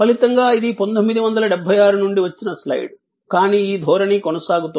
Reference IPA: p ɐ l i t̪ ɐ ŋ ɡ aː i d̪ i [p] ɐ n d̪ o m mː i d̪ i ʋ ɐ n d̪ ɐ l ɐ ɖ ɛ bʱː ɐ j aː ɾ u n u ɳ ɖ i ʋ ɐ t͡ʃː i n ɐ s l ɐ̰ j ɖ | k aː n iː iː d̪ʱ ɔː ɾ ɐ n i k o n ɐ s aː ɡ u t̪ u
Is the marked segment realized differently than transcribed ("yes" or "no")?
no